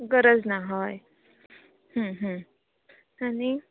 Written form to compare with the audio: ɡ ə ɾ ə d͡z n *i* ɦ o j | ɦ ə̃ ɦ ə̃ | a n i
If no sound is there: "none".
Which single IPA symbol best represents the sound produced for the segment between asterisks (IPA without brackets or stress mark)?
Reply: a